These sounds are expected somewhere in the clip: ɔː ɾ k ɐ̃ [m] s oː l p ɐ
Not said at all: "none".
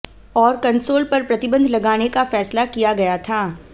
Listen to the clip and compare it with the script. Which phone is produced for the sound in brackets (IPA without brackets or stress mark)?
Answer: n